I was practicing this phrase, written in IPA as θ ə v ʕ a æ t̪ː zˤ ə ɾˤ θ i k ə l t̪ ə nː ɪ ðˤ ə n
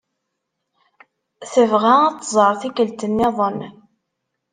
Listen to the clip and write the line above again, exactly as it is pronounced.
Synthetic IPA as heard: θ ə v ʁ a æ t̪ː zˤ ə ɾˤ θ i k ə l t̪ ə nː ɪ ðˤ ə n